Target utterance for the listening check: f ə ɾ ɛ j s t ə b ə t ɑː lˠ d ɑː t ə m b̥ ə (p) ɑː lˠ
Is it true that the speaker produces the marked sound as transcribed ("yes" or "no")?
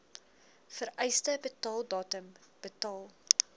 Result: no